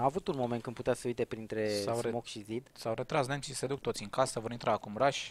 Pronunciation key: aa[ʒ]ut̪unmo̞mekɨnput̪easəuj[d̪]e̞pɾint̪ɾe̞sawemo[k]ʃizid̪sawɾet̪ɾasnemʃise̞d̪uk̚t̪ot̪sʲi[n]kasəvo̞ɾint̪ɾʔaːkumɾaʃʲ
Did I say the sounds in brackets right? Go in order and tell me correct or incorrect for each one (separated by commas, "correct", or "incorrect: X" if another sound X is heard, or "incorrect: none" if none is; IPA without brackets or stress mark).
incorrect: v, incorrect: t̪, correct, incorrect: ŋ